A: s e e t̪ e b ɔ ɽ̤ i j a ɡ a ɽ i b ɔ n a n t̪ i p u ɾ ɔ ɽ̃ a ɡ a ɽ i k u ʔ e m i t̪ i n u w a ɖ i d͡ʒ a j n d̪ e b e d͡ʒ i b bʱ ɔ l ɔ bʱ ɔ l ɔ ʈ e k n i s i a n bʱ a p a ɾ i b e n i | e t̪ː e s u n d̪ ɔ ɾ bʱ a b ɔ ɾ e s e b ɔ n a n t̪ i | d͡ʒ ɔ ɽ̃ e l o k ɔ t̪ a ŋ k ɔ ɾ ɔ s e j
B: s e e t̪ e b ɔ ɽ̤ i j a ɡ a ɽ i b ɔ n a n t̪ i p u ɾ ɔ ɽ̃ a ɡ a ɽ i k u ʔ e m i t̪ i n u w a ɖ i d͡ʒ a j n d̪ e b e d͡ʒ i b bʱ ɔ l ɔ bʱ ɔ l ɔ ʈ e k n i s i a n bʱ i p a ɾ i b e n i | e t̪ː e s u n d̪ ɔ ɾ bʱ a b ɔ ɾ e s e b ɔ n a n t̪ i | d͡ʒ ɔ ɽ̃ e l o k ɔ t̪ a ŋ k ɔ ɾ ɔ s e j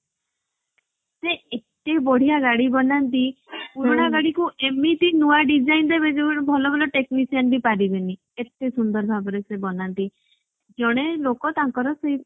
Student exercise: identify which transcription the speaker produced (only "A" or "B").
B